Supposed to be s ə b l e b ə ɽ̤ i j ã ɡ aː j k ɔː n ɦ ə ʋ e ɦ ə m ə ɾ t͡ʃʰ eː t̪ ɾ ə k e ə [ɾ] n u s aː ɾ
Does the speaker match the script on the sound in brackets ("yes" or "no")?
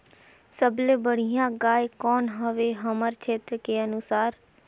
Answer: no